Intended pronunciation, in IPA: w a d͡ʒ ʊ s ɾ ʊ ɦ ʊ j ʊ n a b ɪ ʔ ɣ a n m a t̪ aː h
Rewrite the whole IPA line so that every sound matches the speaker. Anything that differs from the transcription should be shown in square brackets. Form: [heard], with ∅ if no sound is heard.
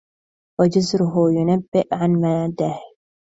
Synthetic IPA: w a d͡ʒ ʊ [z] ɾ ʊ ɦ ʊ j ʊ n a [bː] ɪ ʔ [ʕ] a n m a [d̪] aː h